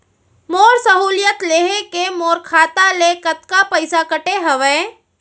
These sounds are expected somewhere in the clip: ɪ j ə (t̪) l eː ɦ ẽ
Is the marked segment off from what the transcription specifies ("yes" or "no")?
no